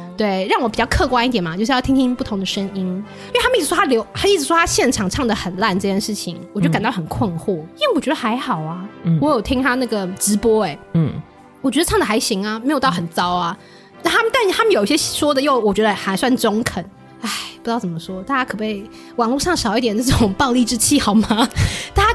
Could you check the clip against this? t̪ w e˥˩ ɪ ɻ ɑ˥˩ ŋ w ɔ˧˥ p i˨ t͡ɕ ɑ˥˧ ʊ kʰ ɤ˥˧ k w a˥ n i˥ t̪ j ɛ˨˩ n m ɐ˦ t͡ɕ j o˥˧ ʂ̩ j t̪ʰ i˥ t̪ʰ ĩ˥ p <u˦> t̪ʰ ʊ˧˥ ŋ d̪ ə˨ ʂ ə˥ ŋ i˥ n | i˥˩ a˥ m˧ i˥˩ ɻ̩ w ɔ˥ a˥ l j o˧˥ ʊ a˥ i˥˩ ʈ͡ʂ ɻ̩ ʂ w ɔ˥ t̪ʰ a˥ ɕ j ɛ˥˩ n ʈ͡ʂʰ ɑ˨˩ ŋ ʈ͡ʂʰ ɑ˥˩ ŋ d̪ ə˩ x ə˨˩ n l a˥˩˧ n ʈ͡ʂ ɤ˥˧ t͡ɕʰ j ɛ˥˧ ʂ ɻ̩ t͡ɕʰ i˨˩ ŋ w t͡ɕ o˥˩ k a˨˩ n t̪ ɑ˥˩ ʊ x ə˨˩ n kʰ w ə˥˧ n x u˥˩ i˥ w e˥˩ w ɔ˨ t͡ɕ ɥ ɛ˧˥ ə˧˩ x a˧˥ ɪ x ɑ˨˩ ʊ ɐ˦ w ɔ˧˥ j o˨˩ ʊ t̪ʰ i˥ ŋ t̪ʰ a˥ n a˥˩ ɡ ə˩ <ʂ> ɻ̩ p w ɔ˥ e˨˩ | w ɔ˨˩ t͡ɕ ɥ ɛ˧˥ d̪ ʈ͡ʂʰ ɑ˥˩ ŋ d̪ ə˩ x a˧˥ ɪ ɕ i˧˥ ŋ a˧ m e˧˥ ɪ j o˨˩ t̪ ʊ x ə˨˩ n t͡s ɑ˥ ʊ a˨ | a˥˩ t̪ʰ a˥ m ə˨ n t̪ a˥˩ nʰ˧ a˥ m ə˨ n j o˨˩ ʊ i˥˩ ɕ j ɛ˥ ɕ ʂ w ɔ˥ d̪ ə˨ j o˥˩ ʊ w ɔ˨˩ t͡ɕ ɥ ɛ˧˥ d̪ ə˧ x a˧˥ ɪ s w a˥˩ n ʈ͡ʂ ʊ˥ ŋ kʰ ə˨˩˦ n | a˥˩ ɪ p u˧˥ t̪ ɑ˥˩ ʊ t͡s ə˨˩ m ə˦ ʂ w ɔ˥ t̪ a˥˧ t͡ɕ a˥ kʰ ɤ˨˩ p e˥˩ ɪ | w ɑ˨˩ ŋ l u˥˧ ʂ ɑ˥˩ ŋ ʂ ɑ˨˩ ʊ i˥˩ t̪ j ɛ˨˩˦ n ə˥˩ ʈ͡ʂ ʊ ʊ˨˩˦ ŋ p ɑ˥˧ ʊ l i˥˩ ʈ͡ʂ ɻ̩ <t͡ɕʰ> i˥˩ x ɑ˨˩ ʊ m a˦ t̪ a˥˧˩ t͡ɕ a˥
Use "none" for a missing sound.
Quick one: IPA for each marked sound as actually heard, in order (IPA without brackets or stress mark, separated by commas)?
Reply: u˥˩, ʈ͡ʂ, t͡ɕʰ